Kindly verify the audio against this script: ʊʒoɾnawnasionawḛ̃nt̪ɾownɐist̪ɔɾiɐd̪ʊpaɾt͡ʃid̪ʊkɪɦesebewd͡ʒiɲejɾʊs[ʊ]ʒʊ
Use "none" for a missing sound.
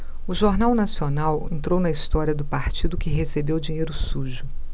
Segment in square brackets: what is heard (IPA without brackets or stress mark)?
u